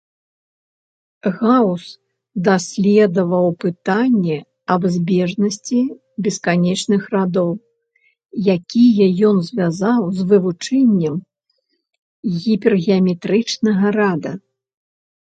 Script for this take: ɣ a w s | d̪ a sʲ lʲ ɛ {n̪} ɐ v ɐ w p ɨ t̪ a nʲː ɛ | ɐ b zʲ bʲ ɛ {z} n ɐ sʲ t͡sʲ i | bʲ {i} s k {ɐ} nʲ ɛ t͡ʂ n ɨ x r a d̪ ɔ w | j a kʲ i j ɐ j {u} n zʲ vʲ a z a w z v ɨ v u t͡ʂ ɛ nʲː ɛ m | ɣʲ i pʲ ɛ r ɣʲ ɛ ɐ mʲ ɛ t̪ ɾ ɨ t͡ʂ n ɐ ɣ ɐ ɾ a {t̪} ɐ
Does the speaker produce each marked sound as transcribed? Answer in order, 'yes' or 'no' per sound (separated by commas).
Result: no, no, no, no, no, no